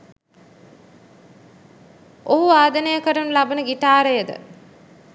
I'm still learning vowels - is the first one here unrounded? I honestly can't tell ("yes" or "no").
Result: no